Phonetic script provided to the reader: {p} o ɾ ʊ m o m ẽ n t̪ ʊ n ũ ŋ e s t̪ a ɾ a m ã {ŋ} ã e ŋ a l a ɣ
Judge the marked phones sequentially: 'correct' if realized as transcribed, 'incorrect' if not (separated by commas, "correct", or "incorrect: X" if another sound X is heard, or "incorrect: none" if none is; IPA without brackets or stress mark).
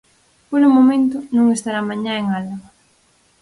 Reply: correct, incorrect: ɲ